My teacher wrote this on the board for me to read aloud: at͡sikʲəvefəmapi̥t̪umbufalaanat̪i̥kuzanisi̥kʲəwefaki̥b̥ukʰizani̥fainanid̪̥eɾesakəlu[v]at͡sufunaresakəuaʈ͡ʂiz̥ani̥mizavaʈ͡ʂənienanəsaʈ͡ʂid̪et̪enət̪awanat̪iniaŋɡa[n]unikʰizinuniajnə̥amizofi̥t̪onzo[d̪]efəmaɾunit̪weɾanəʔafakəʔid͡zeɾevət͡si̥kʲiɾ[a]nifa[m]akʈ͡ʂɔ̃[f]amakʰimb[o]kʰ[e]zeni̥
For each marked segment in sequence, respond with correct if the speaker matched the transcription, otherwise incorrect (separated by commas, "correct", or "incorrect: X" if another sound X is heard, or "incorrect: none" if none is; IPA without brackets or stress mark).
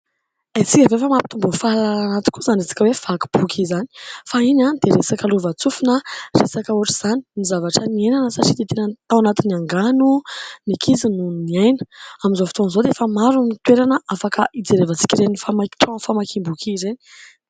correct, correct, correct, incorrect: e, correct, correct, incorrect: u, incorrect: i